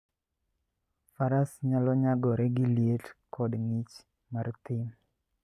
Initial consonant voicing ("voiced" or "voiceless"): voiceless